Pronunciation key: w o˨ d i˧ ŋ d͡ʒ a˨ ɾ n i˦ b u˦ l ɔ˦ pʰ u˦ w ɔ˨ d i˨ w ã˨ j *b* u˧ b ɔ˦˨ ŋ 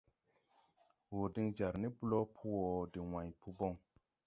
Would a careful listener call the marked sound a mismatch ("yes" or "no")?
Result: yes